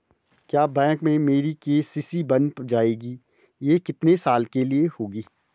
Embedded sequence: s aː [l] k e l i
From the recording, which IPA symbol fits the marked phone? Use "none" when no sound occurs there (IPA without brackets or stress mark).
l